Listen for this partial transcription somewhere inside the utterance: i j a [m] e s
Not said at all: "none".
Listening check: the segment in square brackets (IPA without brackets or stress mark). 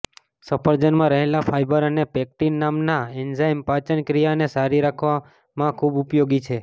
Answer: n